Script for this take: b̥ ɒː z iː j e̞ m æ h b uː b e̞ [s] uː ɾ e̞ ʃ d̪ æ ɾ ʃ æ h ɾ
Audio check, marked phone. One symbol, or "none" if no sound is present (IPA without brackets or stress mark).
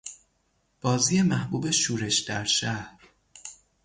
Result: ʃ